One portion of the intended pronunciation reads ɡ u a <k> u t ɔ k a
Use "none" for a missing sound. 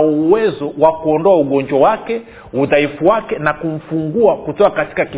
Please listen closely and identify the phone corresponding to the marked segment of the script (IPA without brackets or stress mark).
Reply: k